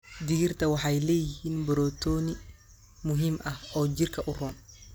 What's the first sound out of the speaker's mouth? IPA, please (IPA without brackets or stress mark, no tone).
d̪